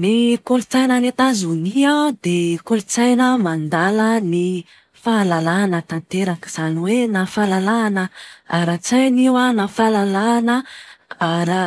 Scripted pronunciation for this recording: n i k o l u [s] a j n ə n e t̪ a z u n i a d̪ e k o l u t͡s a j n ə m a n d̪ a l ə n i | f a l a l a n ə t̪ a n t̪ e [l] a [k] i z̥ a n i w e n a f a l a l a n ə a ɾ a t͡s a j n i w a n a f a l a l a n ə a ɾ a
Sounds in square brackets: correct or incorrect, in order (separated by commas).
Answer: incorrect, incorrect, correct